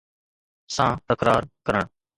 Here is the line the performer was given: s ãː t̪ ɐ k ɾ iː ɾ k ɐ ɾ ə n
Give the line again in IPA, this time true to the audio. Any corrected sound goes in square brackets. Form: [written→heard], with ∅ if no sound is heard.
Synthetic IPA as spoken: s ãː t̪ [ɐ→ə] k ɾ [iː→aː] ɾ k [ɐ→ə] ɾ ə [n→ɳ]